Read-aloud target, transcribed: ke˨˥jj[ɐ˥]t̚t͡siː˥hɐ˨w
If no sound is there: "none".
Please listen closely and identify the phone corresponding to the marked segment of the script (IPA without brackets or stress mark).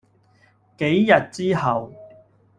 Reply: ɐ˨